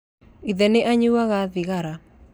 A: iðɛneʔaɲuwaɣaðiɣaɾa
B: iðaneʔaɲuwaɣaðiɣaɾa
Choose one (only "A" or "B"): A